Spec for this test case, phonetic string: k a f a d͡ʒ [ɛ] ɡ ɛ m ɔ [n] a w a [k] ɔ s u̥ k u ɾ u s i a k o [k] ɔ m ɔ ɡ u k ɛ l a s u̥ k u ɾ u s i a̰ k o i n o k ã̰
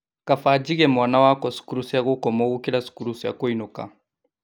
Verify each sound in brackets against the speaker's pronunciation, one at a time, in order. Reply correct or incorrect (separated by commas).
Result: incorrect, correct, correct, correct